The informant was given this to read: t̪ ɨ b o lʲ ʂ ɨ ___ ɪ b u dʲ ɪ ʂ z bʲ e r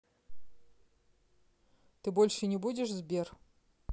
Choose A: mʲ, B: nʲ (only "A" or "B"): B